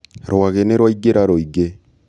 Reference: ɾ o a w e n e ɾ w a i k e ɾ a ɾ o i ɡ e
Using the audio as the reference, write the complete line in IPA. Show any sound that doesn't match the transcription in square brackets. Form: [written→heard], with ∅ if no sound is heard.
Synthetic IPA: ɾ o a [w→ɣ] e n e ɾ w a i [k→ɡ] e ɾ a ɾ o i ɡ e